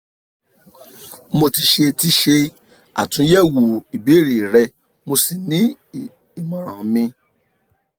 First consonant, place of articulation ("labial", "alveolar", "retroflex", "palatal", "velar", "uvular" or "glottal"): labial